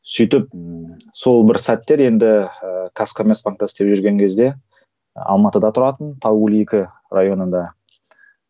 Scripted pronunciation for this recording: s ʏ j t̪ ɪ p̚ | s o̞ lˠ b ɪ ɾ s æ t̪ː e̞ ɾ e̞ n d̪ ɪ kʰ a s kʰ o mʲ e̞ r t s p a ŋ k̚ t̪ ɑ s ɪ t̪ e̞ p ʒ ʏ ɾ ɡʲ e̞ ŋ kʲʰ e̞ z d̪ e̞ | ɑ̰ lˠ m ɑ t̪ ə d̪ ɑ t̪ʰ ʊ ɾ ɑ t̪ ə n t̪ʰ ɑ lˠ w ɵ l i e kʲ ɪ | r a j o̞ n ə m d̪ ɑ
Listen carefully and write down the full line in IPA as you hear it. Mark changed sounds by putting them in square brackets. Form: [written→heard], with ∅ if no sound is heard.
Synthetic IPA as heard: s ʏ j t̪ ɪ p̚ | s o̞ lˠ b ɪ ɾ s æ t̪ː e̞ ɾ e̞ n d̪ ɪ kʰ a s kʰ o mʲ e̞ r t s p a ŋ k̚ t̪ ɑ s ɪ t̪ e̞ p ʒ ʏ ɾ ɡʲ e̞ ŋ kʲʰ e̞ z d̪ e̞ | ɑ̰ lˠ m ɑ t̪ ə d̪ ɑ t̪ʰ ʊ ɾ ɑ t̪ ə n t̪ʰ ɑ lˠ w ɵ l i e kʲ ɪ | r a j o̞ n ə [m→n] d̪ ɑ

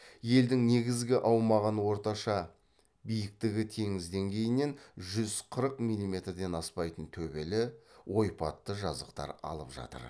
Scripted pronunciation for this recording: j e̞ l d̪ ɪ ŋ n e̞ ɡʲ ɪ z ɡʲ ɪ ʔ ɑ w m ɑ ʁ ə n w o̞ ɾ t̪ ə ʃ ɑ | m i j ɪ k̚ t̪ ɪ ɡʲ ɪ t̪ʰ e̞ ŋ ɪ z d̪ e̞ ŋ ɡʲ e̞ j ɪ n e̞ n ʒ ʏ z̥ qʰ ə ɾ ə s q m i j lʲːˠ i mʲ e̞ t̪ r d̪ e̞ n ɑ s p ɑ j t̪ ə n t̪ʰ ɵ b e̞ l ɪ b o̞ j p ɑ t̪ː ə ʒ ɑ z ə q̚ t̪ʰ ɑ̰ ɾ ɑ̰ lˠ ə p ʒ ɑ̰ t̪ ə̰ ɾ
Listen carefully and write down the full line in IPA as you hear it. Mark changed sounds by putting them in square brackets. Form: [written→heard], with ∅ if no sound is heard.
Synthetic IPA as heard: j e̞ l d̪ ɪ ŋ n e̞ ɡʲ ɪ z ɡʲ ɪ ʔ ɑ w m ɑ ʁ ə n w o̞ ɾ t̪ [ə→ɑ] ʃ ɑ | [m→b] i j ɪ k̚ t̪ ɪ ɡʲ ɪ t̪ʰ e̞ ŋ ɪ z d̪ e̞ ŋ ɡʲ e̞ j ɪ n e̞ n ʒ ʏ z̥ qʰ ə ɾ ə [s→∅] q m i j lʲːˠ i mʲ e̞ t̪ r d̪ e̞ n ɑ s p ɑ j t̪ ə n t̪ʰ ɵ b e̞ l ɪ [b→w] o̞ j p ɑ t̪ː ə ʒ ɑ z ə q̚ [t̪ʰ→t̪] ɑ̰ ɾ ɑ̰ lˠ ə p ʒ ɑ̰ t̪ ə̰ ɾ

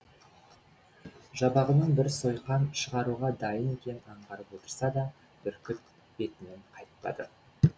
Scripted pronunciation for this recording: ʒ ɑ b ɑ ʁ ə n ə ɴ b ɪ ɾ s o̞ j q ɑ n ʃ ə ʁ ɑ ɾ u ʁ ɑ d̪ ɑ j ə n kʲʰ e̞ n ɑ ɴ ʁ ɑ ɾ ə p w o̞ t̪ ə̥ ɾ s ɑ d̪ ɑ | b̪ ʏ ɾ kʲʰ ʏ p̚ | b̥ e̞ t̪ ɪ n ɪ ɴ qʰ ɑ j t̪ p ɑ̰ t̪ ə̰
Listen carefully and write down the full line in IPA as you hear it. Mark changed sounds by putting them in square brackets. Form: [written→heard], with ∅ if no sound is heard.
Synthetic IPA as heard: ʒ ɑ b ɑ ʁ ə n ə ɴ b ɪ ɾ s o̞ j q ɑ n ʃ ə ʁ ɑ ɾ u ʁ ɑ d̪ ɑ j ə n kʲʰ e̞ n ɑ ɴ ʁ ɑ ɾ ə p w o̞ t̪ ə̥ ɾ s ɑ d̪ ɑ | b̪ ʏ ɾ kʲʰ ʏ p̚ | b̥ e̞ t̪ ɪ n ɪ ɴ qʰ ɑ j t̪ p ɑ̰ [t̪→d̪] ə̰

